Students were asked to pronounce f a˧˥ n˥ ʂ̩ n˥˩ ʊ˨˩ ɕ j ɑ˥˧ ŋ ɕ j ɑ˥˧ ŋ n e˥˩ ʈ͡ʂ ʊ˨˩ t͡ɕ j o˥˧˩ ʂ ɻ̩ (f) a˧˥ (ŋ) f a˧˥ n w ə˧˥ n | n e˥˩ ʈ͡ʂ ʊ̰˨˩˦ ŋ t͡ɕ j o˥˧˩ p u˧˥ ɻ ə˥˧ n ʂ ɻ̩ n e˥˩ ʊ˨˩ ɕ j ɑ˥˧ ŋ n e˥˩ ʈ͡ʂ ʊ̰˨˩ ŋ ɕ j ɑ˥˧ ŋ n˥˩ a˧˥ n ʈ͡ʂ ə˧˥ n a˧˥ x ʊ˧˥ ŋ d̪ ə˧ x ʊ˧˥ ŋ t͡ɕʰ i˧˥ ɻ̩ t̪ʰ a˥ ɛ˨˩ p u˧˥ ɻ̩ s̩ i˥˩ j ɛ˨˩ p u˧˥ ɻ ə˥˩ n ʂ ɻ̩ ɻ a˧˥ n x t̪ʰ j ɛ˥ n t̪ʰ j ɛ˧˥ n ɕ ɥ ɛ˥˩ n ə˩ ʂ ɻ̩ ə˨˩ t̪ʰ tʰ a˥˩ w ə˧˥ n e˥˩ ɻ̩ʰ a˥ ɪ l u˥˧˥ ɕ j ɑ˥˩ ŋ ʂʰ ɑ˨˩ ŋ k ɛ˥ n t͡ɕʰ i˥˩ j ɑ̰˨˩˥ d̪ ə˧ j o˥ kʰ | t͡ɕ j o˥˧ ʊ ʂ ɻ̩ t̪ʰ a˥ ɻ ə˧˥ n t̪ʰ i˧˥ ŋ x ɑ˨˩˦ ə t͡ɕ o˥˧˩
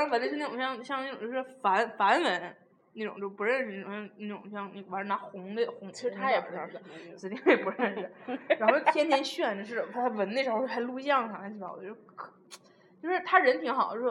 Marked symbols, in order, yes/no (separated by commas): yes, no